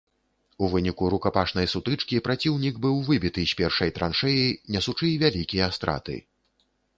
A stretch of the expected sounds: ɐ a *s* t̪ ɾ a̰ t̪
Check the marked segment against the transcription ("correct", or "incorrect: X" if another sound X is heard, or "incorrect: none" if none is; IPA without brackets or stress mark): correct